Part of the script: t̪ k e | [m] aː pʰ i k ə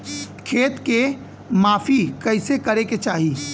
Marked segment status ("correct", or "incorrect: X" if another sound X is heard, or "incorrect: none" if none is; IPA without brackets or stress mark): correct